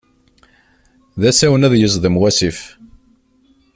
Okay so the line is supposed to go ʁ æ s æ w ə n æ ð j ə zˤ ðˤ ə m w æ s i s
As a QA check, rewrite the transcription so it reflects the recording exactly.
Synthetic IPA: ð æ s æ w ə n æ ð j ə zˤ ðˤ ə m w æ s i f